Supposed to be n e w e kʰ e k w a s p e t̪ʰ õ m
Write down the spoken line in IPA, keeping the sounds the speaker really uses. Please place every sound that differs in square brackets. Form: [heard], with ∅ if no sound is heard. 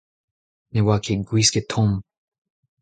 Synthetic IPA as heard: n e w [a] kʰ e [ɡ] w [i] s [k] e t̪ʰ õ m